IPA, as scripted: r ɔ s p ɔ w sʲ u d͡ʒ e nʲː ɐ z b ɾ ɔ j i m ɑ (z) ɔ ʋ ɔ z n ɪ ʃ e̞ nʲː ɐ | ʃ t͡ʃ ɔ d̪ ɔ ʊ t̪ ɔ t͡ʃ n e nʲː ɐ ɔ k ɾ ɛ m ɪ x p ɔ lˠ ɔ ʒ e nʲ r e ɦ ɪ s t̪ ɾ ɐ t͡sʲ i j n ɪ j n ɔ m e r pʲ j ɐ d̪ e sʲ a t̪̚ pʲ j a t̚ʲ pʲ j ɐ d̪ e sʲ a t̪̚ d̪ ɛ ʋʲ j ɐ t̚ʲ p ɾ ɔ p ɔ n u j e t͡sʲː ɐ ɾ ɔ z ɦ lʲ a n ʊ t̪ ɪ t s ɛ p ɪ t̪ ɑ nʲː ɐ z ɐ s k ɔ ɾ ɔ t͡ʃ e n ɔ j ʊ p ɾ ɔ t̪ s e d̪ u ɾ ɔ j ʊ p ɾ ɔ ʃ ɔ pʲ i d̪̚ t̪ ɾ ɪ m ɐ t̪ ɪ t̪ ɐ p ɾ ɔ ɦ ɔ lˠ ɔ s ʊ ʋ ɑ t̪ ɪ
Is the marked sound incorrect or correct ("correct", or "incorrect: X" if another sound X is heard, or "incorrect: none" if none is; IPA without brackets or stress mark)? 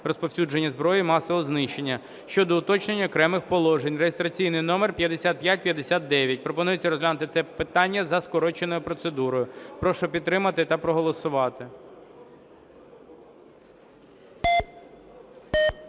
incorrect: s